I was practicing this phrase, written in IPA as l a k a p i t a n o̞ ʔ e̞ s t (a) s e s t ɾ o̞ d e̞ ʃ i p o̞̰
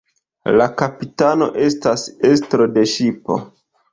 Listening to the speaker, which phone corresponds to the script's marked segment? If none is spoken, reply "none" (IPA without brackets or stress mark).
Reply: a